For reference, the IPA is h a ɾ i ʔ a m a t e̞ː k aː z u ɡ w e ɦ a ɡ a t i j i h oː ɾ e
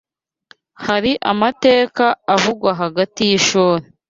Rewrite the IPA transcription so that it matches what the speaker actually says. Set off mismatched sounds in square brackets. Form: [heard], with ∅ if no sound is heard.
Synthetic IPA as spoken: h a ɾ i ʔ a m a t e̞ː k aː [v] u ɡ w [a] ɦ a ɡ a t i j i [ʃ] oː ɾ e